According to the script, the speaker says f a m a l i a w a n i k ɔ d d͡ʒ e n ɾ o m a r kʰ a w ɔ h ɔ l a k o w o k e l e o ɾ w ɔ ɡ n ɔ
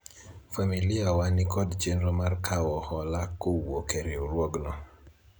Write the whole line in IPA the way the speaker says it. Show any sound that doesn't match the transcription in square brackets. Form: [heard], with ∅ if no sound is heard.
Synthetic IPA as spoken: f a m [i] l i a w a n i k ɔ d d͡ʒ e n ɾ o m a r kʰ a w ɔ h ɔ l a k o w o k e [ɾ] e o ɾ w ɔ ɡ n ɔ